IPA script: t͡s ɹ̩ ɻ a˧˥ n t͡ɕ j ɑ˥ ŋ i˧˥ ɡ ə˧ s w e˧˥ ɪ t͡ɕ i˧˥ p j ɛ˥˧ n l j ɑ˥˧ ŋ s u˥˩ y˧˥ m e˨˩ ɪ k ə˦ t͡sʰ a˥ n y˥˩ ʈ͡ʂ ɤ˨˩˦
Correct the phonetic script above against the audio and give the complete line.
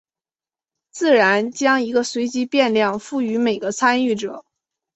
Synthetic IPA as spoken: t͡s ɹ̩ ɻ a˧˥ n t͡ɕ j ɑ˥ ŋ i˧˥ ɡ ə˧ s w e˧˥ ɪ t͡ɕ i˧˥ p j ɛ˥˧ n l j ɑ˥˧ ŋ f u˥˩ y˧˥ m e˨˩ ɪ ɡ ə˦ t͡sʰ a˥ n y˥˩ ʈ͡ʂ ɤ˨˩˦